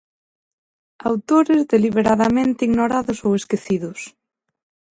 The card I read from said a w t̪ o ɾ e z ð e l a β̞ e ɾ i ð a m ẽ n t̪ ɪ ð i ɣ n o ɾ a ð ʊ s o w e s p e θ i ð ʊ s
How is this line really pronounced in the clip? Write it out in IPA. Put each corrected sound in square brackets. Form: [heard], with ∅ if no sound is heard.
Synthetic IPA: a w t̪ o ɾ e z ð e l [i] β̞ e ɾ [a] ð a m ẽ n t̪ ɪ [∅] i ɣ n o ɾ a ð ʊ s o w e s [k] e θ i ð ʊ s

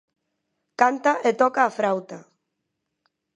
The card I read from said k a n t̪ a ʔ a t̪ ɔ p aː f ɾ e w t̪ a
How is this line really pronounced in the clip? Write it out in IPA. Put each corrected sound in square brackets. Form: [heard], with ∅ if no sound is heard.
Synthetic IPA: k a n t̪ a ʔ [e] t̪ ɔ [k] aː f ɾ [a] w t̪ a

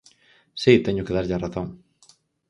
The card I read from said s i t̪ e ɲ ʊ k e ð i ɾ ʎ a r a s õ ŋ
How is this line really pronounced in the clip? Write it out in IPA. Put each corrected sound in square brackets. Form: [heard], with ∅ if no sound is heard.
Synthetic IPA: s i t̪ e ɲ ʊ k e ð [a] ɾ ʎ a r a [θ] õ ŋ

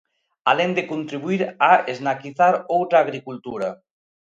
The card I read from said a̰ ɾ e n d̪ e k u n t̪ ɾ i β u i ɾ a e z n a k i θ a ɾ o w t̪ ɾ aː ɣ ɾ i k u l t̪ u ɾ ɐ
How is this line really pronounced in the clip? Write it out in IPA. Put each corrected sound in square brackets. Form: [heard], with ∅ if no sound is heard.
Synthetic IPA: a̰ [l] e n d̪ e k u n t̪ ɾ i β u i ɾ a e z n a k i θ a ɾ o w t̪ ɾ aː ɣ ɾ i k u l t̪ u ɾ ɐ

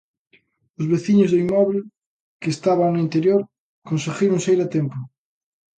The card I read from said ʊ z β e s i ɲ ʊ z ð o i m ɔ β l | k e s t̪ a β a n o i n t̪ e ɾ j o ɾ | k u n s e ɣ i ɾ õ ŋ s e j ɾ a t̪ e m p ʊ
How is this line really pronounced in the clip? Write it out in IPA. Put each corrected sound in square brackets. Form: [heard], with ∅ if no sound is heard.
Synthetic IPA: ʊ z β e [θ] i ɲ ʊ z ð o i m ɔ β l | k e s t̪ a β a n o i n t̪ e ɾ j o ɾ | k [o] n s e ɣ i ɾ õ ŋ s e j ɾ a t̪ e m p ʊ

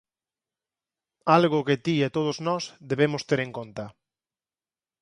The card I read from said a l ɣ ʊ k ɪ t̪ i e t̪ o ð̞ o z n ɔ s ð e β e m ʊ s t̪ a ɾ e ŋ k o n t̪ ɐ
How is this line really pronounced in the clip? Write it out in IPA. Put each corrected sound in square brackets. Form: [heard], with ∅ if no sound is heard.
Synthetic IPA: a l ɣ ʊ k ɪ t̪ i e t̪ o ð̞ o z n ɔ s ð e β e m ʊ s t̪ [e] ɾ e ŋ k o n t̪ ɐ

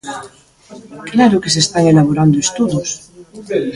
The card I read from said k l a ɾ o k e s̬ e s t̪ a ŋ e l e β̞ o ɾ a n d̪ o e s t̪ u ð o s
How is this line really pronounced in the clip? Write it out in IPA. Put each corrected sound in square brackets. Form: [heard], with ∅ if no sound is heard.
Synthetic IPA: k l a ɾ o k e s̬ e s t̪ a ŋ e l [a] β̞ o ɾ a n d̪ o e s t̪ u ð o s

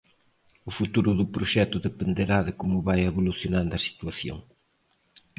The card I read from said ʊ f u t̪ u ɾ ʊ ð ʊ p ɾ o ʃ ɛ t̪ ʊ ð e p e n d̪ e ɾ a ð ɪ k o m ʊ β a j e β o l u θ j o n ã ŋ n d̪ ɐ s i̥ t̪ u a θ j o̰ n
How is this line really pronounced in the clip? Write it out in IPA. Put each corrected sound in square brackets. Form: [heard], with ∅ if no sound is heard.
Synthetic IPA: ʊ f u t̪ u ɾ ʊ ð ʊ p ɾ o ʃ ɛ t̪ ʊ ð e p e n d̪ e ɾ a ð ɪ k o m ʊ β a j e β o l u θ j o n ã [∅] n d̪ ɐ s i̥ t̪ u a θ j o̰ [ŋ]

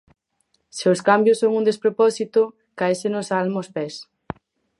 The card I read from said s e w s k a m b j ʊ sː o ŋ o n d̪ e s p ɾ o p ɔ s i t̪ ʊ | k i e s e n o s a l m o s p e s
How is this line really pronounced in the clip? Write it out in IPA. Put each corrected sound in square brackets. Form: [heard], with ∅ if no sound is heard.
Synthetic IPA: s e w s k a m b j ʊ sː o ŋ [u] n d̪ e s p ɾ o p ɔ s i t̪ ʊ | k [a] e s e n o s a l m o s p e s

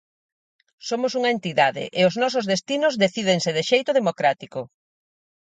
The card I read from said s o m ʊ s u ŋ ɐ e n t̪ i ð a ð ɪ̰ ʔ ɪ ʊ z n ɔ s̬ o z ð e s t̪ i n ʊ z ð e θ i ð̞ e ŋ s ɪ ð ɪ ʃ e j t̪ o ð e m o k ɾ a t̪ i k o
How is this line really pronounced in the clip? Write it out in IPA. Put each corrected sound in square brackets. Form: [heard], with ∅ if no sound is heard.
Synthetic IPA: s o m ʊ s u ŋ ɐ e n t̪ i ð a ð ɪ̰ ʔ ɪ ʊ z n ɔ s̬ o z ð e s t̪ i n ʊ z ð e θ i ð̞ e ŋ s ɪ ð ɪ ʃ e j t̪ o ð e m o k ɾ a t̪ i k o

